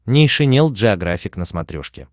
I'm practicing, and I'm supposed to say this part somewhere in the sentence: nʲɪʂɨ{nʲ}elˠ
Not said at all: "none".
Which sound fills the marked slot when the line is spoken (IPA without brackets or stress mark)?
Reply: nʲ